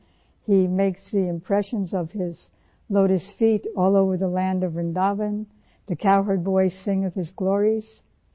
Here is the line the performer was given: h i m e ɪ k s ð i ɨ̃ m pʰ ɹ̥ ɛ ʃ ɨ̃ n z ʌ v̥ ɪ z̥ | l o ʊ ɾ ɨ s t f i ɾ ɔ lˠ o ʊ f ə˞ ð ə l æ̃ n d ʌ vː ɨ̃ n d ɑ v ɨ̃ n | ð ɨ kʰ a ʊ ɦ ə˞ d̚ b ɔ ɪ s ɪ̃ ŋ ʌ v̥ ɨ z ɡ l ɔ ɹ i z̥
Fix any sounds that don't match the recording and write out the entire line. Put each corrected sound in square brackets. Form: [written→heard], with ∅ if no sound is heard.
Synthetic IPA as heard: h i m e ɪ k s ð i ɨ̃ m pʰ ɹ̥ ɛ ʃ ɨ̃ n z ʌ v̥ ɪ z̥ | l o ʊ ɾ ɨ s t f i ɾ ɔ lˠ o ʊ [f→v] ə˞ ð ə l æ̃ n d ʌ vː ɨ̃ n d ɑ v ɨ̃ n | ð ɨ kʰ a ʊ ɦ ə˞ d̚ b ɔ ɪ s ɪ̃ ŋ ʌ v̥ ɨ z ɡ l ɔ ɹ i z̥